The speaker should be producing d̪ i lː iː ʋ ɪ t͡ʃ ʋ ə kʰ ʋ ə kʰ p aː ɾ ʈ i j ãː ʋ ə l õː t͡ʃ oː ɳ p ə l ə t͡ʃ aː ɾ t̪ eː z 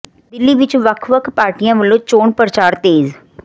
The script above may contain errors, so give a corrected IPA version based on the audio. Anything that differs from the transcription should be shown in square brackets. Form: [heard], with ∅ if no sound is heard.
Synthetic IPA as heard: d̪ [ɪ] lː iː ʋ ɪ t͡ʃ ʋ ə kʰ ʋ ə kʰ p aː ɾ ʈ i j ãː ʋ ə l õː t͡ʃ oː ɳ p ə [ɾ] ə t͡ʃ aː ɾ t̪ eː z